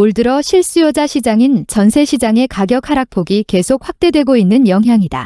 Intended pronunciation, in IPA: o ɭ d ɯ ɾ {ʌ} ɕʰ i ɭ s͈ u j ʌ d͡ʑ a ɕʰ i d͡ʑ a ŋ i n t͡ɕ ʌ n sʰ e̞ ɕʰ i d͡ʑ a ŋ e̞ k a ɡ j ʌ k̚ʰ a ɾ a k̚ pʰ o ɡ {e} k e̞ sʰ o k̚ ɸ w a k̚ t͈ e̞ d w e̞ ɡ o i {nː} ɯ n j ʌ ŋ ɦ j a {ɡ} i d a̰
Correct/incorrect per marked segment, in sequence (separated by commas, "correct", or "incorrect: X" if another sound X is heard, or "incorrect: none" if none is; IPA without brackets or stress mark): correct, incorrect: i, correct, incorrect: ŋ